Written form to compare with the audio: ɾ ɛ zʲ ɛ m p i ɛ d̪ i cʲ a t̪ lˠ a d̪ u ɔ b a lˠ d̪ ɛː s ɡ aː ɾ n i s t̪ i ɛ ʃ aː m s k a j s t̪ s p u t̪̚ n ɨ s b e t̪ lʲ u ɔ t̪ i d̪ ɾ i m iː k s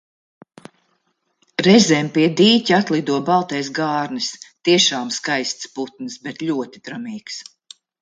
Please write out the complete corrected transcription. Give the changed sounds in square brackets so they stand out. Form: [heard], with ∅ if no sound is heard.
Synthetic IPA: ɾ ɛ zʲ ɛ m p i ɛ d̪ [iː] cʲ a t̪ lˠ [i] d̪ u ɔ b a lˠ [t̪] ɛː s ɡ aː ɾ n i s t̪ i ɛ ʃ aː m s k a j s t̪ s p u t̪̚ n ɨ s b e t̪ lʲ u ɔ t̪ i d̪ ɾ [a] m iː k s